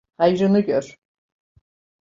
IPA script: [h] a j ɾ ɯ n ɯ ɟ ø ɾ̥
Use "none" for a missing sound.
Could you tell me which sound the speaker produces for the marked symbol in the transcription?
h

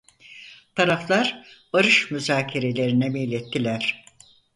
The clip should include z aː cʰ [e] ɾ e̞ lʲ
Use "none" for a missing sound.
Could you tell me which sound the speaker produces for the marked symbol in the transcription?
e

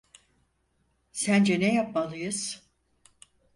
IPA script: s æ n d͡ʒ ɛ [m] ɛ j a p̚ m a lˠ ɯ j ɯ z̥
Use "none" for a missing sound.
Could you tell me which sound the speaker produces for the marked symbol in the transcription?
n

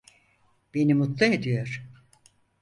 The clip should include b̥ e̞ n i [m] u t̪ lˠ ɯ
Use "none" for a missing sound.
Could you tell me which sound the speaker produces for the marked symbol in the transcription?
m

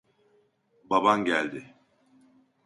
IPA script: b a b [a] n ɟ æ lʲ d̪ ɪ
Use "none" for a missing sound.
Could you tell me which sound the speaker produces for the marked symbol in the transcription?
a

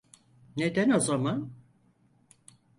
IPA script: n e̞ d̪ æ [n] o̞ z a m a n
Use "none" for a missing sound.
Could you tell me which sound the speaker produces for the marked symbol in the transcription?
n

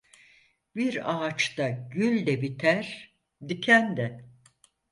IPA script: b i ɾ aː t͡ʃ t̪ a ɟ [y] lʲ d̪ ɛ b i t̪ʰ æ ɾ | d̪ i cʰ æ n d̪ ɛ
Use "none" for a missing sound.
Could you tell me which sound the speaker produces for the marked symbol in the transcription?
y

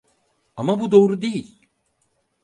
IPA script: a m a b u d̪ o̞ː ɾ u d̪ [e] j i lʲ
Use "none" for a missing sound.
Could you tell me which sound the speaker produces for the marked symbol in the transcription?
e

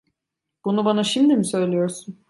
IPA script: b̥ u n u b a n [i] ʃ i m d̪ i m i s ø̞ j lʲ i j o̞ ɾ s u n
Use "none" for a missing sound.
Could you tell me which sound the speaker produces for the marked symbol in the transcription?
a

